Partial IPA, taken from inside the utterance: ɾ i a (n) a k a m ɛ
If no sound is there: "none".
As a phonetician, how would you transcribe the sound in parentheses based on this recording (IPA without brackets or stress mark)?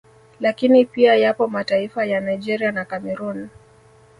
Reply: n